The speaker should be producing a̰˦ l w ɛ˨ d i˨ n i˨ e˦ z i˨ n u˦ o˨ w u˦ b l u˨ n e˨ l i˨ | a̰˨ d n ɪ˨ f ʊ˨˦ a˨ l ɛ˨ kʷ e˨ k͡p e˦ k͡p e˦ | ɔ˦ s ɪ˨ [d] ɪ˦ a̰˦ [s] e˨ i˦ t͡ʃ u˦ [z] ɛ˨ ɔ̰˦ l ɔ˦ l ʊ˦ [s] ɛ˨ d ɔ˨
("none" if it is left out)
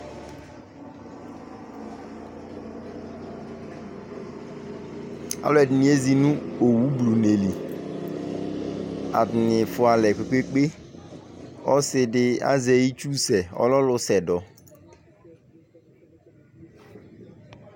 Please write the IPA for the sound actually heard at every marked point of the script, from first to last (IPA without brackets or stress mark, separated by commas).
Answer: d, z, s, s